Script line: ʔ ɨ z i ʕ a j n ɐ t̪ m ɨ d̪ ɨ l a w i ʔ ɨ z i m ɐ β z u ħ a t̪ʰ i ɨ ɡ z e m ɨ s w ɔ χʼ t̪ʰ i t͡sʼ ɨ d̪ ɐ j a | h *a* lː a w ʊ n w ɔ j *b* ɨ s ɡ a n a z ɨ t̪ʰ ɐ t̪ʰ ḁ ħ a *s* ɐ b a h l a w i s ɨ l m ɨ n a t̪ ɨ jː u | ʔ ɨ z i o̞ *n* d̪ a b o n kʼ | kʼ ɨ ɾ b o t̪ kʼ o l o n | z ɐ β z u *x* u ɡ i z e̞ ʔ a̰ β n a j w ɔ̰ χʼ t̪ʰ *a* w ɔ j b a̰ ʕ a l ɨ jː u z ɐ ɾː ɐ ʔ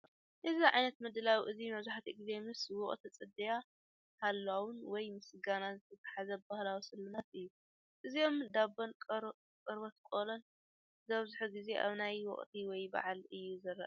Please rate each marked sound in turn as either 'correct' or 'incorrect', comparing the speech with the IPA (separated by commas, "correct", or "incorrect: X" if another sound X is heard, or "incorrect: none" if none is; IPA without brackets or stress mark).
correct, incorrect: m, incorrect: z, incorrect: m, incorrect: ħ, incorrect: i